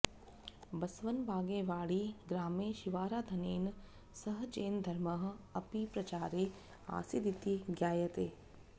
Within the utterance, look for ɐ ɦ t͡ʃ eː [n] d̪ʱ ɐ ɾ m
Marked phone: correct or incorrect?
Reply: correct